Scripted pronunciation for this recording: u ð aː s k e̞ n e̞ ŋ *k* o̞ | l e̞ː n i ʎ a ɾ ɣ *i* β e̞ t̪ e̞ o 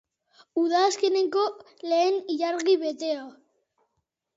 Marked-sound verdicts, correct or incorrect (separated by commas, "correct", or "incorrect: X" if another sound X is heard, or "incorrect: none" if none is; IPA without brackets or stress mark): correct, correct